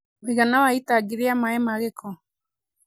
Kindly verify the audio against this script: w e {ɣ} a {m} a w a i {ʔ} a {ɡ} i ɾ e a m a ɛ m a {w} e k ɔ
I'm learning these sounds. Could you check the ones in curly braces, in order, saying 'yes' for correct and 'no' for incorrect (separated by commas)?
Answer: yes, no, no, yes, no